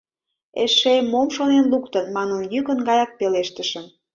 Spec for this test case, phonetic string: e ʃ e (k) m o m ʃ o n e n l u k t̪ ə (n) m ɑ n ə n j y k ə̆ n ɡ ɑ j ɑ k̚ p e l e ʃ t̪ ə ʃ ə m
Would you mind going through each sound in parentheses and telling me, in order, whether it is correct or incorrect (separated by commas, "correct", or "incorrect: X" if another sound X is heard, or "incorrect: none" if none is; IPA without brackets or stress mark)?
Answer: incorrect: none, correct